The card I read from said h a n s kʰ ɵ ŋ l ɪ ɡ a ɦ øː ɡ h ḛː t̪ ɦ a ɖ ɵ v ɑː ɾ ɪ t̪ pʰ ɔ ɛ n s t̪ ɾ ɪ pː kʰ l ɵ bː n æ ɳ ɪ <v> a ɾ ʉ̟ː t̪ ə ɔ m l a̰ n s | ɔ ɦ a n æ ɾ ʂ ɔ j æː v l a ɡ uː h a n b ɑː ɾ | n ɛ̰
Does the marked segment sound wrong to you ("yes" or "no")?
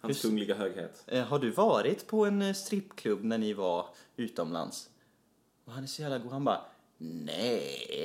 no